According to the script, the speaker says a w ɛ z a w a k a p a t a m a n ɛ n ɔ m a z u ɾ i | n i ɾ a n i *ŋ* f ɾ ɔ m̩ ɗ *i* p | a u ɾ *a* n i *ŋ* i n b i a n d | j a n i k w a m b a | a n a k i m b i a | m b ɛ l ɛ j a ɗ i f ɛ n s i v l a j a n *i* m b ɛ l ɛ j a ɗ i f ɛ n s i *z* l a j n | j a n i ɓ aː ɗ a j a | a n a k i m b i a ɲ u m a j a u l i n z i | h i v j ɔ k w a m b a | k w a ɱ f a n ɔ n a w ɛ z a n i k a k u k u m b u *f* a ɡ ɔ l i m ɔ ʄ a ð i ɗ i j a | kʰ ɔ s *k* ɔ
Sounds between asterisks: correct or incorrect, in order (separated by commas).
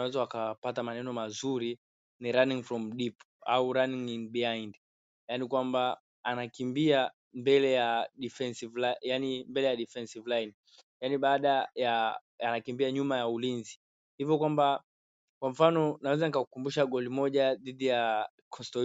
correct, correct, correct, correct, correct, incorrect, incorrect, incorrect